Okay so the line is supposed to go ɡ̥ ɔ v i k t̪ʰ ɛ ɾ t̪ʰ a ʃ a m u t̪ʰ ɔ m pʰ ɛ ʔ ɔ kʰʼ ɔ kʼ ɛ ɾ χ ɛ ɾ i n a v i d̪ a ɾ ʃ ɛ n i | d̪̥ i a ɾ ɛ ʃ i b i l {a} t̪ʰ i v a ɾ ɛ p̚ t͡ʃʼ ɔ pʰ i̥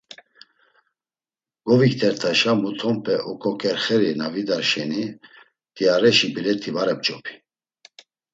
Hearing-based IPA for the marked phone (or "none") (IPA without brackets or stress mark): ɛ